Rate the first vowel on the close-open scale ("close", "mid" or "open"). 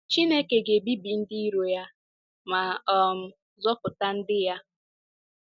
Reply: close